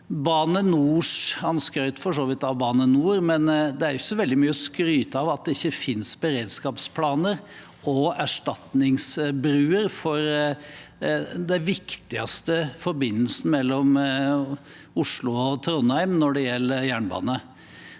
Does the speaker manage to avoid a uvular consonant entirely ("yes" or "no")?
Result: yes